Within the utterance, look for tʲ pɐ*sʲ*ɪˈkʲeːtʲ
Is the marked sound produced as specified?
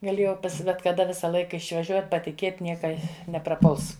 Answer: no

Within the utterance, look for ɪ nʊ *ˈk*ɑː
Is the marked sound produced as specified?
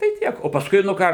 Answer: yes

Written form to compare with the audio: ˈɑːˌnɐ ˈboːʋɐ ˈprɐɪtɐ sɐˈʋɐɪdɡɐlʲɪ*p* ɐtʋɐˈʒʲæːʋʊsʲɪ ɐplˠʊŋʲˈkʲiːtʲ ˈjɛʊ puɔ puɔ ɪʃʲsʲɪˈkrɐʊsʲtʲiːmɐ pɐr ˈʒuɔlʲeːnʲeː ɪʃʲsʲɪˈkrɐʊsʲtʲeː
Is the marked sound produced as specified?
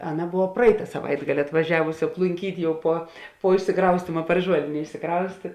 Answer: no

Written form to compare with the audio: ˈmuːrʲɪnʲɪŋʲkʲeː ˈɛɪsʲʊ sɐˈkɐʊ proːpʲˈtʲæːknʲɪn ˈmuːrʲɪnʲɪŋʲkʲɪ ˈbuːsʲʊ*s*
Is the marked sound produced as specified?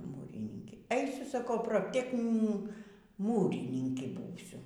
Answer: no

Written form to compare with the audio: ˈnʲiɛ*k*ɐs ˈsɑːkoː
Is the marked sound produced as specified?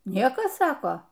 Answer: yes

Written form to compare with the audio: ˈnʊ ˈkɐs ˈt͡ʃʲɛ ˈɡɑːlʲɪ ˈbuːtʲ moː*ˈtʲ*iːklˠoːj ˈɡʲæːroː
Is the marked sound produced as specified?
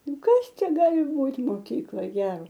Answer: no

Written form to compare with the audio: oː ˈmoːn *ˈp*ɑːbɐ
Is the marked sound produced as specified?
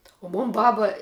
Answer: no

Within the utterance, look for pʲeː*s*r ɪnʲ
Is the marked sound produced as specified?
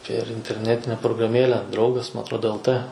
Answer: no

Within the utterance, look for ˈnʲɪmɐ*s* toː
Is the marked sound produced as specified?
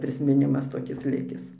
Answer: yes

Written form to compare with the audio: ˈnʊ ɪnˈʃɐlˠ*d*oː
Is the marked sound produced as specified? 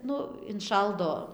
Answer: yes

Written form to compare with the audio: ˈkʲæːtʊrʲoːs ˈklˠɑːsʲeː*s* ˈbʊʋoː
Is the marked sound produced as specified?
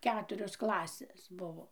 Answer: yes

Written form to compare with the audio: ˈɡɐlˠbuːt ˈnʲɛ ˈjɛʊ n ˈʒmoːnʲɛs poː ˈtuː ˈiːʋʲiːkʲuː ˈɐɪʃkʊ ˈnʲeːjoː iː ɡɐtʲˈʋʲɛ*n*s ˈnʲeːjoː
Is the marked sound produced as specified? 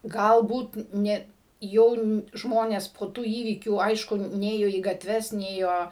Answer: no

